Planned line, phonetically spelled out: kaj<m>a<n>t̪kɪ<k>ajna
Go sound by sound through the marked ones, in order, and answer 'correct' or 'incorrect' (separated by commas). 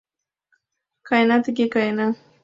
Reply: incorrect, incorrect, correct